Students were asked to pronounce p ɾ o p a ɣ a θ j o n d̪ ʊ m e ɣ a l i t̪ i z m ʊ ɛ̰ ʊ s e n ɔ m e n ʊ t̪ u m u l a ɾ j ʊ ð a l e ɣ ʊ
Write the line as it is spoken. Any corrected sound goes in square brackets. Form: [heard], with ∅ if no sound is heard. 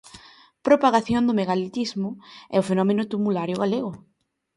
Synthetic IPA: p ɾ o p a ɣ a θ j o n d̪ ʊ m e ɣ a l i t̪ i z m ʊ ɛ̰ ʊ [f] e n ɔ m e n ʊ t̪ u m u l a ɾ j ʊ [ɣ] a l e ɣ ʊ